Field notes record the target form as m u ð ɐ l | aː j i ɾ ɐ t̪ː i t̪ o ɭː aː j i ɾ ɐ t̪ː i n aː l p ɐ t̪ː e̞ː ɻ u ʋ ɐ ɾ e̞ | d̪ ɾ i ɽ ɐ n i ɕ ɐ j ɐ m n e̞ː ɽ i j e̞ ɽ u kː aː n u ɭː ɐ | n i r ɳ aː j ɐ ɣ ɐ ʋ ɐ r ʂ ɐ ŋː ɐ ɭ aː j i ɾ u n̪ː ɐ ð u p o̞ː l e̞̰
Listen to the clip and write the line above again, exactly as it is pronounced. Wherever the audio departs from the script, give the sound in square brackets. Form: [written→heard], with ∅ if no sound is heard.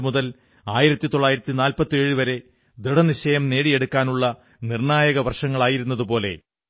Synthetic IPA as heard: m u ð ɐ l | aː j i ɾ ɐ t̪ː i t̪ o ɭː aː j i ɾ ɐ t̪ː i n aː l p ɐ t̪ː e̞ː ɻ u ʋ ɐ ɾ e̞ | d̪ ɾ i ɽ ɐ n i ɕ ɐ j ɐ m n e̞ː ɽ i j e̞ ɽ u kː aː n u ɭː ɐ | n i r ɳ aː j ɐ ɣ ɐ ʋ ɐ r ʂ ɐ ŋː ɐ ɭ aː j i ɾ u n̪ː ɐ ð u p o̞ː l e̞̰

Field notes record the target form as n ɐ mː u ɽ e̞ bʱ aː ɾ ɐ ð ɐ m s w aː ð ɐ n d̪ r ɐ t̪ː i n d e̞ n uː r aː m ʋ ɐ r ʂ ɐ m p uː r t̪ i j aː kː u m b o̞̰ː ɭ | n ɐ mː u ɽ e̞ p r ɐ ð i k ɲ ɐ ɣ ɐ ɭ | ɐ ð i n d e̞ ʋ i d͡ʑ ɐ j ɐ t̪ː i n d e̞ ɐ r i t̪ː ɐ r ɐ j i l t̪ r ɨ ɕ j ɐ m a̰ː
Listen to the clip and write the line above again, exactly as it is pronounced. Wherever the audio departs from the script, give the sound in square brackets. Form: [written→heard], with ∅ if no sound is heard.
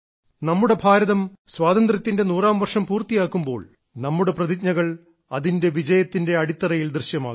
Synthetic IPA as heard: n ɐ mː u ɽ e̞ bʱ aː ɾ ɐ ð ɐ m s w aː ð ɐ n d̪ r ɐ t̪ː i n d e̞ n uː r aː m ʋ ɐ r ʂ ɐ m p uː r t̪ i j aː kː u m b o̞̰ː ɭ | n ɐ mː u ɽ e̞ p r ɐ ð i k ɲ ɐ ɣ ɐ ɭ | ɐ ð i n d e̞ ʋ i d͡ʑ ɐ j ɐ t̪ː i n d e̞ ɐ [r→ɽ] i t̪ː ɐ r ɐ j i l [t̪→d̪] r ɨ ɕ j ɐ m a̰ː

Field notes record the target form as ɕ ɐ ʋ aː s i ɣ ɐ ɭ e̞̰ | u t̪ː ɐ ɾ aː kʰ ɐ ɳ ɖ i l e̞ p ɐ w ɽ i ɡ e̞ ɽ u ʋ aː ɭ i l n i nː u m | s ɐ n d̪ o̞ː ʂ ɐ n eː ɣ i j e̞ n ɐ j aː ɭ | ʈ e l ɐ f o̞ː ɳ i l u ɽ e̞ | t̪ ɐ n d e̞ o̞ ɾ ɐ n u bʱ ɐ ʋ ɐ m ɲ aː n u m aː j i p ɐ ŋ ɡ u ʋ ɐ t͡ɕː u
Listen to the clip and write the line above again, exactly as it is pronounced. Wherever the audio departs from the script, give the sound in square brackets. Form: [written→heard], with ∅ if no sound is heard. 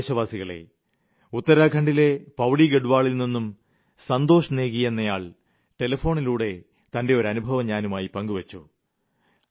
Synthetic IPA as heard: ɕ ɐ ʋ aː s i ɣ ɐ ɭ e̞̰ | u t̪ː ɐ ɾ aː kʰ ɐ ɳ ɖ i l e̞ p ɐ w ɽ i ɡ e̞ ɽ u ʋ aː ɭ i l n i nː u m | s ɐ n d̪ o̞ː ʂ ɐ n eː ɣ i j e̞ [n→nː] ɐ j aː ɭ | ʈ e l ɐ f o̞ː ɳ i l [u→uː] ɽ e̞ | t̪ ɐ n d e̞ o̞ ɾ ɐ n u bʱ ɐ ʋ ɐ m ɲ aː n u m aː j i p ɐ ŋ ɡ u ʋ ɐ t͡ɕː u

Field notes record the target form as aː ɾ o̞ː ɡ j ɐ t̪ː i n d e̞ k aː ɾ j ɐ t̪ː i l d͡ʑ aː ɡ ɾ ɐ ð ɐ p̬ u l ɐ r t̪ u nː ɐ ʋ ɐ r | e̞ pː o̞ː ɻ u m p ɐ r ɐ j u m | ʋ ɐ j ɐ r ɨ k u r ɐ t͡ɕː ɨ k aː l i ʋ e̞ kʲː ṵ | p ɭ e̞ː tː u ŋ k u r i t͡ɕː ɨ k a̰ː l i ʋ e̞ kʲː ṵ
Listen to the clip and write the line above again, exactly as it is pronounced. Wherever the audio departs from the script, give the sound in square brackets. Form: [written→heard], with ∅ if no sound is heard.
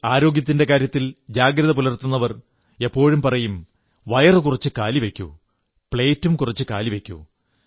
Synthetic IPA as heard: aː ɾ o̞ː ɡ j ɐ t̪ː i n d e̞ k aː ɾ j ɐ t̪ː i l d͡ʑ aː ɡ ɾ ɐ ð ɐ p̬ u l ɐ r t̪ u nː ɐ ʋ ɐ r | e̞ pː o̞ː ɻ u m p ɐ r ɐ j u m | ʋ ɐ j ɐ r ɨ k u r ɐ t͡ɕː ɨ k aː l i ʋ e̞ kʲː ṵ | p ɭ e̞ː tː u [ŋ→m] k u r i t͡ɕː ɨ k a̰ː l i ʋ e̞ kʲː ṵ

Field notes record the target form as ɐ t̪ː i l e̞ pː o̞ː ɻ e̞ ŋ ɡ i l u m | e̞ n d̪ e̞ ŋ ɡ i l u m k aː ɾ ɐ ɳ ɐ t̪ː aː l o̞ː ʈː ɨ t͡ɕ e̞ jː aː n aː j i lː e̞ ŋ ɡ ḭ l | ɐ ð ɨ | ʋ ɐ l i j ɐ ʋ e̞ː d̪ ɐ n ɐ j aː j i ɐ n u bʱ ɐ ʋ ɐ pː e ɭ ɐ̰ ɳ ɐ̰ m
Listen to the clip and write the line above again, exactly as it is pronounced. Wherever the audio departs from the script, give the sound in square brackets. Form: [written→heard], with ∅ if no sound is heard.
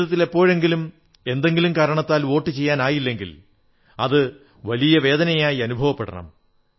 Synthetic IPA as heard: ɐ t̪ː i l e̞ pː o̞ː ɻ e̞ ŋ ɡ i l u m | e̞ n d̪ e̞ ŋ ɡ i l u m k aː ɾ ɐ ɳ ɐ t̪ː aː l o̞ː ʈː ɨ t͡ɕ e̞ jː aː n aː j i lː e̞ ŋ ɡ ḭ l | ɐ ð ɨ | ʋ ɐ l i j ɐ ʋ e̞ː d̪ ɐ n ɐ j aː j i ɐ n u bʱ ɐ ʋ ɐ pː e [ɭ→ɽ] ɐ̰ ɳ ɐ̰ m

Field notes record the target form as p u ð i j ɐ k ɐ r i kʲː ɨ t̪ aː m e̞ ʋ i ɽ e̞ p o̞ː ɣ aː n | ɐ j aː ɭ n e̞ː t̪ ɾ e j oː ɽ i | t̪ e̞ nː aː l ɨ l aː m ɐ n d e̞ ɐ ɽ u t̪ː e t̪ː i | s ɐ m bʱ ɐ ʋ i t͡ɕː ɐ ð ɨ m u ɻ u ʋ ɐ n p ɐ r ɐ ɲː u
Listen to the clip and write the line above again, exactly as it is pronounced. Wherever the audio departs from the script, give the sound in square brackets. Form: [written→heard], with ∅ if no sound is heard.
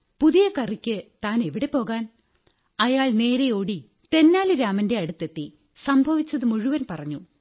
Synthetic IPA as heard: p u ð i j ɐ k ɐ r i kʲː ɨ t̪ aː [m→n] e̞ ʋ i ɽ e̞ p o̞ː ɣ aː n | ɐ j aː ɭ n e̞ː [t̪→∅] ɾ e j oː ɽ i | t̪ e̞ nː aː l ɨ [l→ɾ] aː m ɐ n d e̞ ɐ ɽ u t̪ː e t̪ː i | s ɐ m bʱ ɐ ʋ i t͡ɕː ɐ ð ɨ m u ɻ u ʋ ɐ n p ɐ r ɐ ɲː u

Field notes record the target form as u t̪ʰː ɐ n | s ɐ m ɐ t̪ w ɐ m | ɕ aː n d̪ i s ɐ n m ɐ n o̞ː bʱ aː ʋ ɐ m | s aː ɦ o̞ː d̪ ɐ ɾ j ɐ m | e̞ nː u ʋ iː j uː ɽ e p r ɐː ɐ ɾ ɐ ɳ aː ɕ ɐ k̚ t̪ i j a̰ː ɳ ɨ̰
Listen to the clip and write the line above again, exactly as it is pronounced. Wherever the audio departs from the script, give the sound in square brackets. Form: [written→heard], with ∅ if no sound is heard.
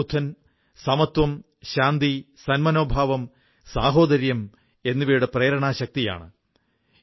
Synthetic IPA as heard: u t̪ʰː ɐ n | s ɐ m ɐ t̪ w ɐ m | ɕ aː n d̪ i s ɐ n m ɐ n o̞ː bʱ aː ʋ ɐ m | s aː ɦ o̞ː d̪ ɐ ɾ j ɐ m | e̞ nː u ʋ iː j [uː→u] ɽ e p r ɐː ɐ ɾ ɐ ɳ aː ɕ ɐ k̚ t̪ i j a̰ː ɳ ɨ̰

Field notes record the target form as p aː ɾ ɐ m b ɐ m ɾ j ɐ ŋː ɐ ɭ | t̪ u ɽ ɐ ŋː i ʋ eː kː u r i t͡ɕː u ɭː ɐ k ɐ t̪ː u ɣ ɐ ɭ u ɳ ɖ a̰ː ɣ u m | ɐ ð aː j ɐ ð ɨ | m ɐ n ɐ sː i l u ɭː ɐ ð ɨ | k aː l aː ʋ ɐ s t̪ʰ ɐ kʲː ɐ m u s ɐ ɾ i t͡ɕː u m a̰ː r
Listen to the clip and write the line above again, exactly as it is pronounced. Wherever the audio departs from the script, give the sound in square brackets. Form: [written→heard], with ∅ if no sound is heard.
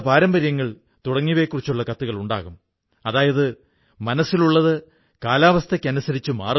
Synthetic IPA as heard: p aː ɾ ɐ m b ɐ [m→∅] ɾ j ɐ ŋː ɐ ɭ | t̪ u ɽ ɐ ŋː i ʋ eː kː u r i t͡ɕː u ɭː ɐ k ɐ t̪ː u ɣ ɐ ɭ u ɳ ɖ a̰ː ɣ u m | ɐ ð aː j ɐ ð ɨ | m ɐ n ɐ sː i l u ɭː ɐ ð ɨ | k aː l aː ʋ ɐ s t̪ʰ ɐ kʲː ɐ [m→n] u s ɐ ɾ i t͡ɕː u m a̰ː r

